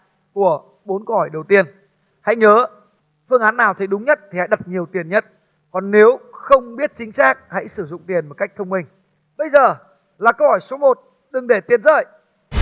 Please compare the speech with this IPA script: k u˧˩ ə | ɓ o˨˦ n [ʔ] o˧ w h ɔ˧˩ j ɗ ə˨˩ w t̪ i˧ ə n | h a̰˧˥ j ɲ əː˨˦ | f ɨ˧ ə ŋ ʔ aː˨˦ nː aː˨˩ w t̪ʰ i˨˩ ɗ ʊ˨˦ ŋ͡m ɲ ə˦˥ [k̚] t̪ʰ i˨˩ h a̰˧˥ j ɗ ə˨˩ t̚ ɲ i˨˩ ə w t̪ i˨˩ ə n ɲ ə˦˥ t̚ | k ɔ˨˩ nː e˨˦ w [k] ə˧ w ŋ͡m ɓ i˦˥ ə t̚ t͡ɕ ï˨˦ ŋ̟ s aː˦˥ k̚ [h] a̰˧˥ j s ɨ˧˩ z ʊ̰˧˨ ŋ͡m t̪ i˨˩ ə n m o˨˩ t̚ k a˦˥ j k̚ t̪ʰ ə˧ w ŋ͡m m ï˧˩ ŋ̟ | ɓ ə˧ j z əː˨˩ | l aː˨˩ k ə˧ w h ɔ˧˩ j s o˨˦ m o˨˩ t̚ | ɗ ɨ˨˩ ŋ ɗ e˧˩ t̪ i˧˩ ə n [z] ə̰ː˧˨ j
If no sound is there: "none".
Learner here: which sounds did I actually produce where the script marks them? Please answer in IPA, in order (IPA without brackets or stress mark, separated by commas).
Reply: k, t̚, x, h, z